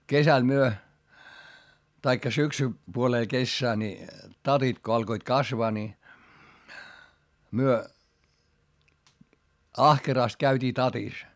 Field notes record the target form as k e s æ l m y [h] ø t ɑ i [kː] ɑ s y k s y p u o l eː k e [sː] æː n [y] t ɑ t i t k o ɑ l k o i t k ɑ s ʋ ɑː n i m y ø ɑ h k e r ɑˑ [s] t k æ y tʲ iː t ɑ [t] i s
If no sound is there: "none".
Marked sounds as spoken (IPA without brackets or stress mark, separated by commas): none, kː, sː, i, s, t